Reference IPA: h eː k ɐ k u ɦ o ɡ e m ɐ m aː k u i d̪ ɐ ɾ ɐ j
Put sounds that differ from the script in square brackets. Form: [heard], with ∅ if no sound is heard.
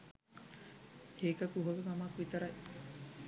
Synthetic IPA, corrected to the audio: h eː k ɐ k u ɦ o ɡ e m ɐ m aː k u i [t̪] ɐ ɾ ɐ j